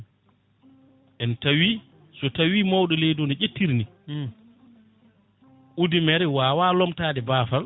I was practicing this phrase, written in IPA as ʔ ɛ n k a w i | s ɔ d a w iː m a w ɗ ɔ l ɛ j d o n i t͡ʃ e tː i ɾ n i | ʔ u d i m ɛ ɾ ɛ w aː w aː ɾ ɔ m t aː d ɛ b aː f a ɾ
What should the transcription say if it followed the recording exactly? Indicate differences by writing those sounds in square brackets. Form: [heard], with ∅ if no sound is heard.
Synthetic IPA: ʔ ɛ n [t] a w i | s ɔ [t] a w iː m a w ɗ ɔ l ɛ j d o n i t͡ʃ e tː i ɾ n i | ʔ u d i m ɛ ɾ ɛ w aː w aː [l] ɔ m t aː d ɛ b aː f a [l]